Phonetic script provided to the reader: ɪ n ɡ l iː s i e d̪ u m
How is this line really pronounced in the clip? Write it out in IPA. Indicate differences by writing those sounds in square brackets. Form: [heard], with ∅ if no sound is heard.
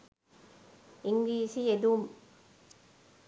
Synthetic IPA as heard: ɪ [ŋ] ɡ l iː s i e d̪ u m